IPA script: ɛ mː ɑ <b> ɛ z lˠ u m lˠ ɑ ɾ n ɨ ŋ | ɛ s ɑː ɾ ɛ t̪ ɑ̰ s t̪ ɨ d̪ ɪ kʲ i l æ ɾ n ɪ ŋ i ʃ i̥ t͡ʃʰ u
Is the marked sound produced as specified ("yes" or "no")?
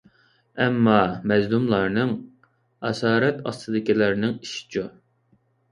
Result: no